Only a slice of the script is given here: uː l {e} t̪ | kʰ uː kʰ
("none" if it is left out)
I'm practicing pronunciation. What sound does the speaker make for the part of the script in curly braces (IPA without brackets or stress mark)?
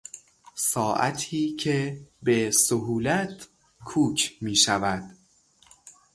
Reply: æ